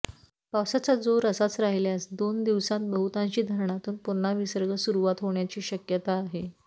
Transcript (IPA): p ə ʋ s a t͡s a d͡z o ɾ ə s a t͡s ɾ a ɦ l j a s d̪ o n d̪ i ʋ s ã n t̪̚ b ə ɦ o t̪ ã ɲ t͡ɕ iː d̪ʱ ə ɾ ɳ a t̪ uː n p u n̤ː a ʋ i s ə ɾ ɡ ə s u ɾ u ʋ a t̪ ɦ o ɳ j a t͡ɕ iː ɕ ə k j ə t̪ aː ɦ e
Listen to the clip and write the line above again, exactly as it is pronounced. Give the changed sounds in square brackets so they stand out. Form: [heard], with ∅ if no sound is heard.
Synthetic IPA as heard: p [a] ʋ s a t͡s a d͡z o ɾ ə s a t͡s ɾ a ɦ l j a s d̪ o n d̪ i ʋ s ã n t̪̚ b ə ɦ [u] t̪ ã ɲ t͡ɕ iː d̪ʱ ə ɾ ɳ a t̪ uː n p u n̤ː a ʋ i s ə ɾ ɡ ə s u ɾ u ʋ a t̪ ɦ o ɳ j a t͡ɕ iː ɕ ə k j ə t̪ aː ɦ e